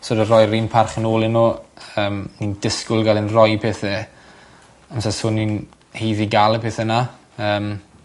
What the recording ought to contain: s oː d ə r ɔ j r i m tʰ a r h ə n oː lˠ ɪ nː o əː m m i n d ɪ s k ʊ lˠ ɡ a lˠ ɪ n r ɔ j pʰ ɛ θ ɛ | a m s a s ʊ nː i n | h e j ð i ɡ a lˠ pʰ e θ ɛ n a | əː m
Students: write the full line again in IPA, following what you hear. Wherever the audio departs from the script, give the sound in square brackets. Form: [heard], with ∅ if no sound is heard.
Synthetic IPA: s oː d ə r ɔ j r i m [pʰ] a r [χ] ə n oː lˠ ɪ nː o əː m [n] i n d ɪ s k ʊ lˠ ɡ a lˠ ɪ n r ɔ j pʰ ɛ θ ɛ | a m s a s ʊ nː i n | h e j ð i ɡ a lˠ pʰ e θ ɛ n a | əː m